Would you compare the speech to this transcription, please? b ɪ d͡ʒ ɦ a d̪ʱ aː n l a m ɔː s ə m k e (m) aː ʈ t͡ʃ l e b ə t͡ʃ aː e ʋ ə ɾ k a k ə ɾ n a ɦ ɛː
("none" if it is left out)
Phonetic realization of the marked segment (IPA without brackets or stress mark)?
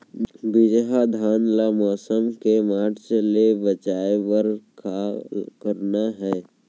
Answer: m